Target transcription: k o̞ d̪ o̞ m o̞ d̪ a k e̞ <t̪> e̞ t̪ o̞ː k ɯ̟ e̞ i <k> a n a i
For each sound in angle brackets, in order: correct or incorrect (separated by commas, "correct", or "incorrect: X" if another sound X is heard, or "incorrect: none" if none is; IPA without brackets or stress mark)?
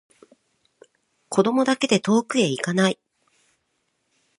incorrect: d̪, correct